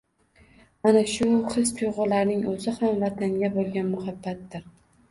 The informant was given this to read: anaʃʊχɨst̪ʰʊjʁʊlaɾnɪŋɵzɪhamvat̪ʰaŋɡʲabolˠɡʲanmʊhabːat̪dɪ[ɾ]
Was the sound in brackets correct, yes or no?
yes